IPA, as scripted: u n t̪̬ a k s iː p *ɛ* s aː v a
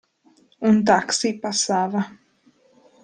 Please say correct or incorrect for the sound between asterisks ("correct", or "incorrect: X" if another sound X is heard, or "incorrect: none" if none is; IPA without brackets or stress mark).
incorrect: a